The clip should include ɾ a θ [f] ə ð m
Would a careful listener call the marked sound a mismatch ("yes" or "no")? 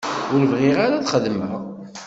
yes